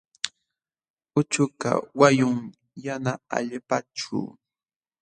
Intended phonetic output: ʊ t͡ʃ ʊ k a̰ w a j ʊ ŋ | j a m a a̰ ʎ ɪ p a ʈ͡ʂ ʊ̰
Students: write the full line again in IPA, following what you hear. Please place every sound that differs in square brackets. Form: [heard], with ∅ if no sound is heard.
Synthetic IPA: ʊ t͡ʃ ʊ k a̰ w a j ʊ ŋ | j a [n] a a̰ ʎ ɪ p a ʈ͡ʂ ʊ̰